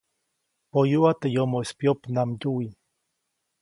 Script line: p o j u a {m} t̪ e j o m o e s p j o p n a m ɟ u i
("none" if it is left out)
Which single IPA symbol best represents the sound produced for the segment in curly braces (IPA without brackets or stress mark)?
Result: none